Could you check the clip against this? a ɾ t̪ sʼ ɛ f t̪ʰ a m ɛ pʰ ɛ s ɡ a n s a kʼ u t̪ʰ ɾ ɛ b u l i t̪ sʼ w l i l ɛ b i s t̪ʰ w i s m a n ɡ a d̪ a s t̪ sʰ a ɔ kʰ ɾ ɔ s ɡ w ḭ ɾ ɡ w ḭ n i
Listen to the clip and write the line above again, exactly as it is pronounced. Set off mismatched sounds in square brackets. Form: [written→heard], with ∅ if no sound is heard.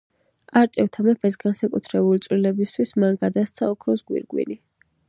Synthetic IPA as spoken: a ɾ t̪ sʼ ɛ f t̪ʰ a m ɛ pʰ ɛ s ɡ a n s a kʼ u t̪ʰ ɾ ɛ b u l i t̪ sʼ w l i l ɛ b i s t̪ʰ w i s m a n ɡ a d̪ a s t̪ sʰ a ɔ kʰ ɾ ɔ s ɡ w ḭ ɾ ɡ w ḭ n i